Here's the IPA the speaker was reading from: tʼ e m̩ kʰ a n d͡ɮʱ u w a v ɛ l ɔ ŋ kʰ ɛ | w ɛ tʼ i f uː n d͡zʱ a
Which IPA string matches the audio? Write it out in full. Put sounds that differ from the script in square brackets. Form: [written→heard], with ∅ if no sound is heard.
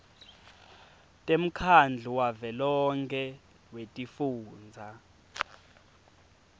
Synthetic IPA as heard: tʼ e m̩ kʰ a n d͡ɮʱ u w a v ɛ l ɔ ŋ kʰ ɛ | w [ɛ→e] tʼ i f uː n d͡zʱ a